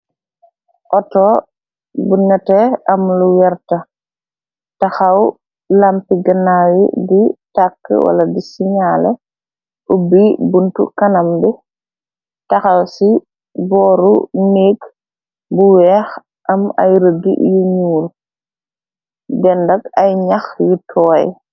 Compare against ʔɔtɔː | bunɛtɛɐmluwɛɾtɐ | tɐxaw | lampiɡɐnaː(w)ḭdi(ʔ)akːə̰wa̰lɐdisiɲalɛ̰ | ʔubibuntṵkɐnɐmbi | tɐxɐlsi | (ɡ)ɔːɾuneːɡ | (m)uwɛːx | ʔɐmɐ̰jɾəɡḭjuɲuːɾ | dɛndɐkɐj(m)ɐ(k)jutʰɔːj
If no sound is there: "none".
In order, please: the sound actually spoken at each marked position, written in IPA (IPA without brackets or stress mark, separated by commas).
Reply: w, t, b, b, ɲ, x